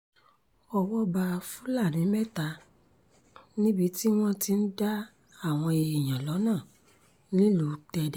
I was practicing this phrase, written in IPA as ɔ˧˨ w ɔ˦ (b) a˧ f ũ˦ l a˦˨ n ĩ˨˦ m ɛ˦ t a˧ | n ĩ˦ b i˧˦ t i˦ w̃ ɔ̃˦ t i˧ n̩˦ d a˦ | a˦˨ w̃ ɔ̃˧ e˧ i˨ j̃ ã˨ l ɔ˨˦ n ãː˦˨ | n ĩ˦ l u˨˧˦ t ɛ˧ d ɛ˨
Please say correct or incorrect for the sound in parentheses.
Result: correct